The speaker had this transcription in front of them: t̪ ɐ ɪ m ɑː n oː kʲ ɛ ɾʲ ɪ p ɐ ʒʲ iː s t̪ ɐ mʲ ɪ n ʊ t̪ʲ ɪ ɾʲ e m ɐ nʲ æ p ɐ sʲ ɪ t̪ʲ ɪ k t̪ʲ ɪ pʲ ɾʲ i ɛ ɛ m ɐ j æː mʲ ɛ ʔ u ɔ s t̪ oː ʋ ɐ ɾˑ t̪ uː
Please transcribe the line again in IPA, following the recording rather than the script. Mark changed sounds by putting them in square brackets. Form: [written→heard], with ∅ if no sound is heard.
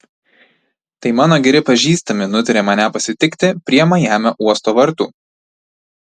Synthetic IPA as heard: t̪ ɐ ɪ m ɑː n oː [kʲ→ɡʲ] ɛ ɾʲ ɪ p ɐ ʒʲ iː s t̪ ɐ mʲ ɪ n ʊ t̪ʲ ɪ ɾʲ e m ɐ nʲ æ p ɐ sʲ ɪ t̪ʲ ɪ k t̪ʲ ɪ pʲ ɾʲ i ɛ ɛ m ɐ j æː mʲ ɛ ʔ u ɔ s t̪ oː ʋ ɐ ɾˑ t̪ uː

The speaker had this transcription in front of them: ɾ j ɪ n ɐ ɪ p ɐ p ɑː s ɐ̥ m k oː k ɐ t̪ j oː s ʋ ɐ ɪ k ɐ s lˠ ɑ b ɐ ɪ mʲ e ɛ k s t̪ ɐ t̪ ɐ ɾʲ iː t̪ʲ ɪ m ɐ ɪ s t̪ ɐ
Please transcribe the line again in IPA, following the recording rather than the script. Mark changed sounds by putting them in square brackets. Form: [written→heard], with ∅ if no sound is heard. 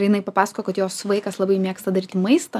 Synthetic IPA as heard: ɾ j ɪ n ɐ ɪ p ɐ p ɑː s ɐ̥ [m→∅] k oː k ɐ t̪ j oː s ʋ ɐ ɪ k ɐ s lˠ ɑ b ɐ ɪ mʲ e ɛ k s t̪ ɐ [t̪→d̪] ɐ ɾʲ iː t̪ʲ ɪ m ɐ ɪ s t̪ ɐ

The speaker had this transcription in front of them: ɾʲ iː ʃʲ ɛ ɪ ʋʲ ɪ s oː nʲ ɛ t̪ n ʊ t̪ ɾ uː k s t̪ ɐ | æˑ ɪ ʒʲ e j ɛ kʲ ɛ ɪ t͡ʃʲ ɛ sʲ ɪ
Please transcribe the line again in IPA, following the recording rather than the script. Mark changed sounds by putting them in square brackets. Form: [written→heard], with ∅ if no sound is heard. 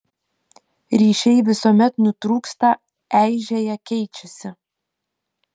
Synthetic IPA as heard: ɾʲ iː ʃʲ ɛ ɪ ʋʲ ɪ s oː [nʲ→mʲ] ɛ t̪ n ʊ t̪ ɾ uː k s t̪ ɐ | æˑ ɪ ʒʲ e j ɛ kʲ ɛ ɪ t͡ʃʲ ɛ sʲ ɪ

